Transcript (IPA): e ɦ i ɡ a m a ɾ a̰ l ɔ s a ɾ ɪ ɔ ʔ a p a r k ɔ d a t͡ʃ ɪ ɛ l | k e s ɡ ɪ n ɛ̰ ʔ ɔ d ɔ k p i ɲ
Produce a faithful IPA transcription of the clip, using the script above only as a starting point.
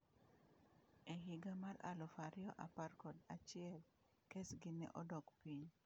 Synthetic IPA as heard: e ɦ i ɡ a m a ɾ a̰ l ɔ f a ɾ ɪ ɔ ʔ a p a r k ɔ d a t͡ʃ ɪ ɛ l | k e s ɡ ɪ n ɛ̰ ʔ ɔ d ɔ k p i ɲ